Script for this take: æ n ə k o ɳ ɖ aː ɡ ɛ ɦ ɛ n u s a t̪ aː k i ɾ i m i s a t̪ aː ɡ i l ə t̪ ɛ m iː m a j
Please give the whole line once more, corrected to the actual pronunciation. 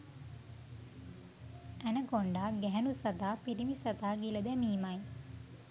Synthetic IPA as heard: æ n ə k o ɳ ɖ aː ɡ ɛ ɦ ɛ n u s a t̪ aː p i ɾ i m i s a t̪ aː ɡ i l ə d̪ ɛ m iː m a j